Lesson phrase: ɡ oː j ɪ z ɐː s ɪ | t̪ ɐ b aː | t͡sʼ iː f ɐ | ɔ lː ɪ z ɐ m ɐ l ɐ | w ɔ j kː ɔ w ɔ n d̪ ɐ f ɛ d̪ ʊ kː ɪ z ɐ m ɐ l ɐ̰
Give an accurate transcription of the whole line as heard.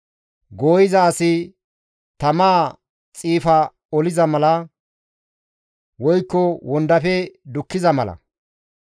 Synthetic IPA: ɡ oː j ɪ z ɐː s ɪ | t̪ ɐ m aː | t͡sʼ iː f ɐ | ɔ l ɪ z ɐ m ɐ l ɐ | w ɔ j kː ɔ w ɔ n d̪ ɐ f ɛ d̪ ʊ kː ɪ z ɐ m ɐ l ɐ̰